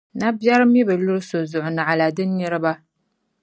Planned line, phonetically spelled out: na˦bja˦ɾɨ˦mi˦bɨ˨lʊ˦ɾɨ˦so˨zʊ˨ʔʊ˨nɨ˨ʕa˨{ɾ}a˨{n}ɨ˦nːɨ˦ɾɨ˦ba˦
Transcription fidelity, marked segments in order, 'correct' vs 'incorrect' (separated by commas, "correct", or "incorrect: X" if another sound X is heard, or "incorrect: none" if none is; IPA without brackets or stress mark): incorrect: l, incorrect: d